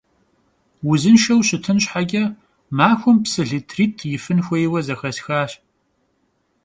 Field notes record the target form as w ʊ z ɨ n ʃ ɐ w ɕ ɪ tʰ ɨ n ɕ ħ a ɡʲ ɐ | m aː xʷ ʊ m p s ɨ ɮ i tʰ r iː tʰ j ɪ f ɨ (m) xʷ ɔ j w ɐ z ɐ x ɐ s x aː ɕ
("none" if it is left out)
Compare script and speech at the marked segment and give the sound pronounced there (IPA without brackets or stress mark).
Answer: n